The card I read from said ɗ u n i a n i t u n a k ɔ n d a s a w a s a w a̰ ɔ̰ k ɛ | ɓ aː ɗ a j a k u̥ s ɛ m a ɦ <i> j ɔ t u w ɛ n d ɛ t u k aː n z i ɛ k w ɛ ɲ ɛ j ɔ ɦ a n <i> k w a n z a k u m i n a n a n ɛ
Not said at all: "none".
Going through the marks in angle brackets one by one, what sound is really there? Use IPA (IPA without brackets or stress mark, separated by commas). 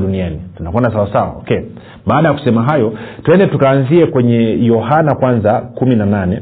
a, a